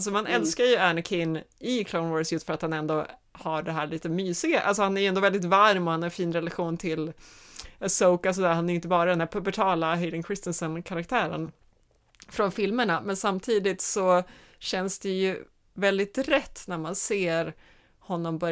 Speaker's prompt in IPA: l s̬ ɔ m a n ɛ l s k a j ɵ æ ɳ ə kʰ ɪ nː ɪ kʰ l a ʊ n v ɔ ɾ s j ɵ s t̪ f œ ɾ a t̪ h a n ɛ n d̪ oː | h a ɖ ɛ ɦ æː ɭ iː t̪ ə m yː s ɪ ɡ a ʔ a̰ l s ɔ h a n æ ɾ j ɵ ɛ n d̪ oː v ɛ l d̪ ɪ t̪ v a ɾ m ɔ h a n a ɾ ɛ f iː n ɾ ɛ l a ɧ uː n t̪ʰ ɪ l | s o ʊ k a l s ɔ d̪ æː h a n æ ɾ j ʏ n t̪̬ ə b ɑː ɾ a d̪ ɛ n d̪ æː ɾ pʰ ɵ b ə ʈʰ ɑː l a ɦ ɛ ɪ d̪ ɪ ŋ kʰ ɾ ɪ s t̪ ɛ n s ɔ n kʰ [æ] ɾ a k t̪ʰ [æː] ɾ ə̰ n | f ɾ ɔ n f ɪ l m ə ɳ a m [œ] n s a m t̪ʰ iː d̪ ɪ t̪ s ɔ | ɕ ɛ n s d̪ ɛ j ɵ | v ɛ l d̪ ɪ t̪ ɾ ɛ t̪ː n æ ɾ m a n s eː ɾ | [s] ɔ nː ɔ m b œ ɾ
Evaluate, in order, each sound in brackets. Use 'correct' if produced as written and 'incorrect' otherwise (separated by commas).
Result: incorrect, correct, incorrect, incorrect